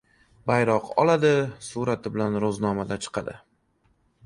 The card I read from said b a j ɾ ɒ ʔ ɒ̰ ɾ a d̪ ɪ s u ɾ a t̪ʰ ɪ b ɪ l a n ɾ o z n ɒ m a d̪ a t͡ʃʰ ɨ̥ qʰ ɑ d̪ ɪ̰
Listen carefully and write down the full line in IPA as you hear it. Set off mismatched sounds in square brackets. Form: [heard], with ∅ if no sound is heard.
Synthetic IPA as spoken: b a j ɾ ɒ [q] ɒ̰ [l] a d̪ ɪ s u ɾ a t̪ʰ ɪ b ɪ l a n ɾ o z n ɒ m a d̪ a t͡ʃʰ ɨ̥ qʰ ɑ d̪ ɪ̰

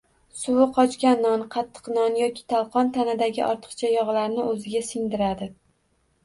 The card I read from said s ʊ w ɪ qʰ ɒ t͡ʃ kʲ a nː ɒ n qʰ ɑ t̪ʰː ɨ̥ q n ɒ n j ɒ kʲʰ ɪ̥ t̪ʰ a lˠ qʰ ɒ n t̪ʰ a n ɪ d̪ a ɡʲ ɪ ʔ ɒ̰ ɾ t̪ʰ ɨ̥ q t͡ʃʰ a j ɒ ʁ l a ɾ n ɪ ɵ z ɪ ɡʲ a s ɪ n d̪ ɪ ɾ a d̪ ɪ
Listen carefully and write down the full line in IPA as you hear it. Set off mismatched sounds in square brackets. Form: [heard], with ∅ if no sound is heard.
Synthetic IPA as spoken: s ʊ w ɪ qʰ ɒ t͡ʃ kʲ a nː ɒ n qʰ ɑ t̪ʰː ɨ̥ q n ɒ n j ɒ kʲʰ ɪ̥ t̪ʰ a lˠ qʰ ɒ n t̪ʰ a n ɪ d̪ a ɡʲ ɪ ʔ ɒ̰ ɾ t̪ʰ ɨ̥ q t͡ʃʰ a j ɒ ʁ l a ɾ n ɪ ɵ z ɪ ɡʲ a s ɪ [ŋ] d̪ ɪ ɾ a d̪ ɪ

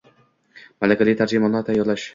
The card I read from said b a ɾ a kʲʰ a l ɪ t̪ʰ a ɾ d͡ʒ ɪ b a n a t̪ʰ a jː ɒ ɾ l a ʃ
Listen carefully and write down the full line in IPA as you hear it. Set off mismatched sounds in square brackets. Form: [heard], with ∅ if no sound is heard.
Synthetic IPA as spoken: [m] a [l] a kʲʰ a l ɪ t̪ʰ a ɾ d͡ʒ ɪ [m] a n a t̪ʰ a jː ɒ ɾ l a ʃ

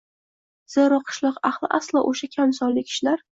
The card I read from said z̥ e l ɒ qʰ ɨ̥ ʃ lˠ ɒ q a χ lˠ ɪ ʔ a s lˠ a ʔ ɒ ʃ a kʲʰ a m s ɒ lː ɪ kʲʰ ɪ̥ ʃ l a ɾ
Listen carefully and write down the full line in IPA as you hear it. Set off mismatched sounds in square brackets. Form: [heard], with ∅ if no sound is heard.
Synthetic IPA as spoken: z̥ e [ɾ] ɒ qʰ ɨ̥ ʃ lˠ ɒ q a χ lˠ ɪ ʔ a s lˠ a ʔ [o] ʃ a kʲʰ a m s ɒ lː ɪ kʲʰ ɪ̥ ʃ l a ɾ

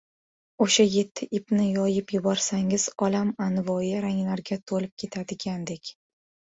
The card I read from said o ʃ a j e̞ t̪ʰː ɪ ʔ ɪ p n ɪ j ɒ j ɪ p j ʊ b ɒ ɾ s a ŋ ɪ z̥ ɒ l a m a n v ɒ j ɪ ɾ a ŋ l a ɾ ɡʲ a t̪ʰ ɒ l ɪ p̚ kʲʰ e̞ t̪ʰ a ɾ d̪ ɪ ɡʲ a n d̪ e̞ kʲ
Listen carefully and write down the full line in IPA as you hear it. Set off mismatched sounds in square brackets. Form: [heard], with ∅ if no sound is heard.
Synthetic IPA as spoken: o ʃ a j e̞ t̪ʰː ɪ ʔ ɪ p n ɪ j ɒ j ɪ p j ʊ b ɒ ɾ s a ŋ ɪ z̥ ɒ l a m a n v ɒ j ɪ ɾ a ŋ l a ɾ ɡʲ a t̪ʰ [o] l ɪ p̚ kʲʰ e̞ t̪ʰ a [∅] d̪ ɪ ɡʲ a n d̪ e̞ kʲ

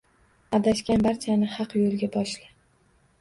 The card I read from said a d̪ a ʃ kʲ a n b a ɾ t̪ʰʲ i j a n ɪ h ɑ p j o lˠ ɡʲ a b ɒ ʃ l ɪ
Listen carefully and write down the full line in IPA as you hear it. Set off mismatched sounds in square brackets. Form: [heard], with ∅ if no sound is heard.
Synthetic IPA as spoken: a d̪ a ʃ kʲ a n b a ɾ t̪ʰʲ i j a n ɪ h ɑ [q] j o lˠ ɡʲ a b ɒ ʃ l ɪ

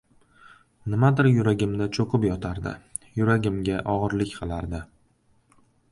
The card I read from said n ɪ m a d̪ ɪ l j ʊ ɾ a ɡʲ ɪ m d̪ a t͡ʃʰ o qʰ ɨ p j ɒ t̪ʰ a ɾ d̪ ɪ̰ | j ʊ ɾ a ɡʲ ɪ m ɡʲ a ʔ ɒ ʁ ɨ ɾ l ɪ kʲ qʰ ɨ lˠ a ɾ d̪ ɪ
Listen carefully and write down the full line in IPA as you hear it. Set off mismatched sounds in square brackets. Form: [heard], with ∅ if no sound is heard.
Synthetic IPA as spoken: n ɪ m a d̪ ɪ [ɾ] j ʊ ɾ a ɡʲ ɪ m d̪ a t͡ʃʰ o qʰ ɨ p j ɒ t̪ʰ a ɾ d̪ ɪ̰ | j ʊ ɾ a ɡʲ ɪ m ɡʲ a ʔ ɒ ʁ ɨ ɾ l ɪ kʲ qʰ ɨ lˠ a ɾ d̪ ɪ

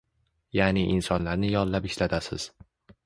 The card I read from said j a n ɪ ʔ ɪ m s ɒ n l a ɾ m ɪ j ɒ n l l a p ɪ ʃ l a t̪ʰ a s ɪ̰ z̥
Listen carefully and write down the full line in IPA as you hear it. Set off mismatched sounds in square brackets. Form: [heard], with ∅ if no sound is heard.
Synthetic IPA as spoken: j a n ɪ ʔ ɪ [n] s ɒ n l a ɾ [n] ɪ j ɒ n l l a p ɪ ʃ l a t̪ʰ a s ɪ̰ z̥

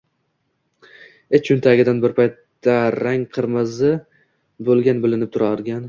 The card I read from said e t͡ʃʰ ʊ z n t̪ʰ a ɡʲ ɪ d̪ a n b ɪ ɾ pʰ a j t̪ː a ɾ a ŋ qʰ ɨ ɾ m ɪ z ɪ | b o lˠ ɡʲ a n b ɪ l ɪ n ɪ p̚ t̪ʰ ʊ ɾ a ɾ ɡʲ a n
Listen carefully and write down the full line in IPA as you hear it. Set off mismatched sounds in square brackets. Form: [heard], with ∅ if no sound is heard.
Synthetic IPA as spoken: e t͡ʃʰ ʊ [∅] n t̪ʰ a ɡʲ ɪ d̪ a n b ɪ ɾ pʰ a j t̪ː a ɾ a ŋ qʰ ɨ ɾ m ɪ z ɪ | b o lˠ ɡʲ a n b ɪ l ɪ n ɪ p̚ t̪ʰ ʊ ɾ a ɾ ɡʲ a n

